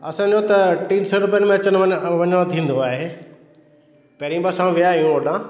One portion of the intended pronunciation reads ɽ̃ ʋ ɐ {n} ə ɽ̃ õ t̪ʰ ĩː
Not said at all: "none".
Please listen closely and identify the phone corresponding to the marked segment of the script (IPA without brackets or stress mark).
ɲ